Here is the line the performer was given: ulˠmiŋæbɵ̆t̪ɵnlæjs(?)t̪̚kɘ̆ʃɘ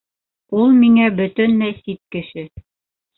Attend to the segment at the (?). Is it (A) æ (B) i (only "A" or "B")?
B